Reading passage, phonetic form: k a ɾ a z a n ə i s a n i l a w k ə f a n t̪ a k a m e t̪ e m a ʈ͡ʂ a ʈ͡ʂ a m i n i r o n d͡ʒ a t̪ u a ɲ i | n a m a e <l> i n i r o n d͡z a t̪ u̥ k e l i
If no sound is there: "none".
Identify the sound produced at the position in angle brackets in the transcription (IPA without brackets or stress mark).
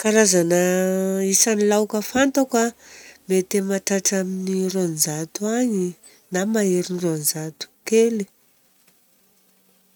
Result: ɾ